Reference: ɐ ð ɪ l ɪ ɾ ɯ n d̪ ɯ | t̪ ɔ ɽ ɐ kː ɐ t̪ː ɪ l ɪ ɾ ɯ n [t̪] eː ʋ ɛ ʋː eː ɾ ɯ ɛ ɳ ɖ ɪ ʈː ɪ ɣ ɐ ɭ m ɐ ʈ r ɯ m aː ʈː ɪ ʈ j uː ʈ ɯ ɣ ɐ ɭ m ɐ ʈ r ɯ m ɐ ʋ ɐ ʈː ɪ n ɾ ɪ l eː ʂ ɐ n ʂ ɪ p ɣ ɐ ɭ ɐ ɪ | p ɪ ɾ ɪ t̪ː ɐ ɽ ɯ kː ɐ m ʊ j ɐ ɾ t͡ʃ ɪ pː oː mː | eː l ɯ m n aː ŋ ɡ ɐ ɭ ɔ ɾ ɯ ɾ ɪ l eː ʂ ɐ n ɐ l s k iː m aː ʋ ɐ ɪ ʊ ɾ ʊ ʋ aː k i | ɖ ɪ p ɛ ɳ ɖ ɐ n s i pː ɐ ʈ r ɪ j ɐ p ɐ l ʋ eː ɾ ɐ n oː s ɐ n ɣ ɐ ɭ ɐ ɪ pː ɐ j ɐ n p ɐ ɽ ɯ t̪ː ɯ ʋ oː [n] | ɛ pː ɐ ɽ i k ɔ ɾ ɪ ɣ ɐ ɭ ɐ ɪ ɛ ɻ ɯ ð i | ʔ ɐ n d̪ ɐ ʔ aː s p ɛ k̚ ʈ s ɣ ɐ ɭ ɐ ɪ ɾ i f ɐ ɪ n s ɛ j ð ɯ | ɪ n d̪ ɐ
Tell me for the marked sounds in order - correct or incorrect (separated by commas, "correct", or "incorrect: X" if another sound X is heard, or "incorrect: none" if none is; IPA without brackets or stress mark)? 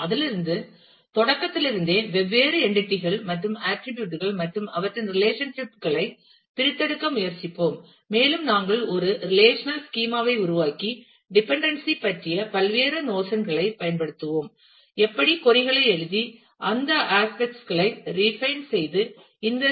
incorrect: d̪, incorrect: m